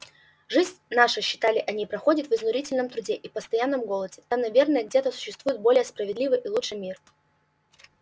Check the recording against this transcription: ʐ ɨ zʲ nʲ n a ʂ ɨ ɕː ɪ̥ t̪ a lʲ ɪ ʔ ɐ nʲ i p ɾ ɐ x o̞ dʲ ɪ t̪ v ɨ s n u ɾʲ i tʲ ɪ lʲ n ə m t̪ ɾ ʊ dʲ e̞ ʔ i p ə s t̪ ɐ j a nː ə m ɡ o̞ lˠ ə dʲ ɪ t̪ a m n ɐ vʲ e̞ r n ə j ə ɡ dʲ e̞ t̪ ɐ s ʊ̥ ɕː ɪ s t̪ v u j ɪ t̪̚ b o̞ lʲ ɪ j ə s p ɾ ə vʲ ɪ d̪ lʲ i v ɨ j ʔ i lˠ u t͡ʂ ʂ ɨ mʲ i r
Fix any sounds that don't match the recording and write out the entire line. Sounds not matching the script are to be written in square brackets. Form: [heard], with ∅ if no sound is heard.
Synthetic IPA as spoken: ʐ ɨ zʲ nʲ n a ʂ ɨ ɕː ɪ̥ t̪ a lʲ ɪ ʔ ɐ nʲ i p ɾ ɐ x o̞ dʲ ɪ t̪ v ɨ [z] n [ʊ] ɾʲ i tʲ ɪ lʲ n ə m t̪ ɾ ʊ dʲ e̞ ʔ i p ə s t̪ ɐ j a nː ə m ɡ o̞ lˠ ə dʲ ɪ t̪ a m n ɐ vʲ e̞ r n ə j ə ɡ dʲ e̞ t̪ [ə] s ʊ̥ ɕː ɪ s t̪ v u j ɪ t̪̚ b o̞ lʲ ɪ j ə s p ɾ ə vʲ ɪ d̪ lʲ i v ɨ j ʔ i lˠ u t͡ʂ ʂ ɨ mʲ i r